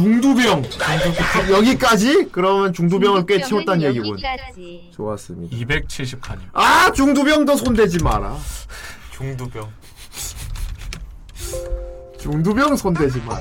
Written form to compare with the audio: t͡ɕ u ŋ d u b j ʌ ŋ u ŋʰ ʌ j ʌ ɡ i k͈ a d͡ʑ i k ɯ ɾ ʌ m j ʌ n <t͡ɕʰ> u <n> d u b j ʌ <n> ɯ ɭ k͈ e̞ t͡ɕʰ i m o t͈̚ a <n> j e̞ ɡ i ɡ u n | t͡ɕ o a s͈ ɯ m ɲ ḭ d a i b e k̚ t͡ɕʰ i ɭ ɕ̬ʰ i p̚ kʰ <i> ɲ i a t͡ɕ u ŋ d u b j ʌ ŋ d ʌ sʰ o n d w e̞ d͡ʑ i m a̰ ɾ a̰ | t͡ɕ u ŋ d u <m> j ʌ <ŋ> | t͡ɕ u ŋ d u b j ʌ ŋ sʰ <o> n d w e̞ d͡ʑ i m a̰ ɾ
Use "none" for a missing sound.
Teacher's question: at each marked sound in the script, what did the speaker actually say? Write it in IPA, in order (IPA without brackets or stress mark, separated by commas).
t͡ɕ, ŋ, ŋ, n, a, b, ŋ, o